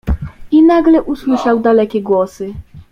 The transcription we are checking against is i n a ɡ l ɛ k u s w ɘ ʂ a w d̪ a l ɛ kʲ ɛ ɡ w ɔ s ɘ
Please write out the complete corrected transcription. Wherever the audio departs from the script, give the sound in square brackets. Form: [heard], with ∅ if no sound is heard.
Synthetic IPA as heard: i n a ɡ l ɛ [ʔ] u s w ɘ ʂ a w d̪ a l ɛ kʲ ɛ ɡ w ɔ s ɘ